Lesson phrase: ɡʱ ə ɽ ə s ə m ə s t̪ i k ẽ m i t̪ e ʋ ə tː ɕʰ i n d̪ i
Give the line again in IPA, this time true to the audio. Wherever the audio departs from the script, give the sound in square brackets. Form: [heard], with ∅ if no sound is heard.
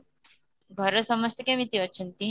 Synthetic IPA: ɡʱ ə [ɾ] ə s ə m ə s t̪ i k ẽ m i t̪ [i] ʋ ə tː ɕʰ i n [t̪] i